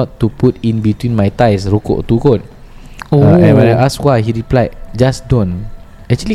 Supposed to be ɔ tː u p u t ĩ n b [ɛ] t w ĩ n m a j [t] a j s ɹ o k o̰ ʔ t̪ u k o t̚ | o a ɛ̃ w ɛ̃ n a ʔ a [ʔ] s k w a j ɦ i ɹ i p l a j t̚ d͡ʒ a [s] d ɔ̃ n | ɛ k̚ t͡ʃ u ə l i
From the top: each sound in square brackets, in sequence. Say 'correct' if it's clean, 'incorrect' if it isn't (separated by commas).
incorrect, correct, incorrect, correct